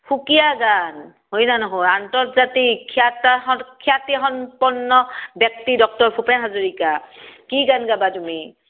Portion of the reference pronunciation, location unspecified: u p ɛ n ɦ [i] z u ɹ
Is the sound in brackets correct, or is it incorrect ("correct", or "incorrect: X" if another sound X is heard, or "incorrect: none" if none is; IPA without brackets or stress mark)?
incorrect: a